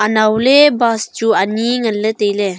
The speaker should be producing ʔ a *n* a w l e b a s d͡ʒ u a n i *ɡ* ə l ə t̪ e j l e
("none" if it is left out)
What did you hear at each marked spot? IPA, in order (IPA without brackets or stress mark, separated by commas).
n, ŋ